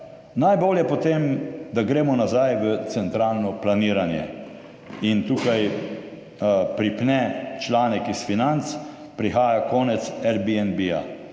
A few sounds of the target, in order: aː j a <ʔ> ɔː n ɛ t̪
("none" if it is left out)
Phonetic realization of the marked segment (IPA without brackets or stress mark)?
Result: k